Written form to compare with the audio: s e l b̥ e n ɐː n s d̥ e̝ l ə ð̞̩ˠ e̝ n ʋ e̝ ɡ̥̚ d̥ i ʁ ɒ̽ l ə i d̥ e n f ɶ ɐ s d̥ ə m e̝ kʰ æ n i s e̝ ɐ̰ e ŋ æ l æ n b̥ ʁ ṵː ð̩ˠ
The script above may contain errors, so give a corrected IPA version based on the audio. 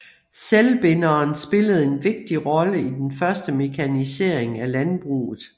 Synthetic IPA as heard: s e l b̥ e n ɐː n s b̥ e̝ l ə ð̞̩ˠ e̝ n ʋ e̝ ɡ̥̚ d̥ i ʁ ɒ̽ l ə i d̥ e n f ɶ ɐ s d̥ ə m e̝ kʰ æ n i s e̝ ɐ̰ e ŋ æ l æ n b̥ ʁ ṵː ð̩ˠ